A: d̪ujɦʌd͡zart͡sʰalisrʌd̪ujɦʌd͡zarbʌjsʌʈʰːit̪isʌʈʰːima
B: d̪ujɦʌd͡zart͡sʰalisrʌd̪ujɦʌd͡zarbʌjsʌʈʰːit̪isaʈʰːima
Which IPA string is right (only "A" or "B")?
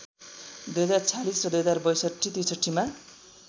A